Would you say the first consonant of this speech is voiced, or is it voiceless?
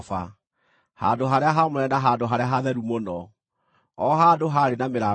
voiceless